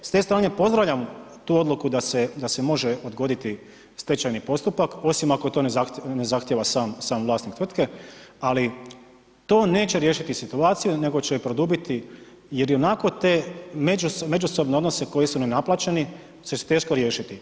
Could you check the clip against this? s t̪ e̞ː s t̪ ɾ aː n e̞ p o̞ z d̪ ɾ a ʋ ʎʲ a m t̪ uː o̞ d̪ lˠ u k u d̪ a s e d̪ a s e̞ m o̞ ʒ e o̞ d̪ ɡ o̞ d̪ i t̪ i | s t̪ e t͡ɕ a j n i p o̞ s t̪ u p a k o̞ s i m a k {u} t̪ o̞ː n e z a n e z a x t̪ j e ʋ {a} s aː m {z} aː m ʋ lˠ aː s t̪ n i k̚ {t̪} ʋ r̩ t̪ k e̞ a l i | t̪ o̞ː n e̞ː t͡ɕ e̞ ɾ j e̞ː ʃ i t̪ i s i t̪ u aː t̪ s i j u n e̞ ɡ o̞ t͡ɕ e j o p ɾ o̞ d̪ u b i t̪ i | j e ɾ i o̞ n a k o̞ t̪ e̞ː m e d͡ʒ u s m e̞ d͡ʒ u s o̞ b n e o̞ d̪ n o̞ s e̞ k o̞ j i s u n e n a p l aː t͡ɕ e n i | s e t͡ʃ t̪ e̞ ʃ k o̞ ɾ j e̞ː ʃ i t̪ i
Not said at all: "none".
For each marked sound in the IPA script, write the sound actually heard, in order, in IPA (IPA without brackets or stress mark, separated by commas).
o, a, s, t̪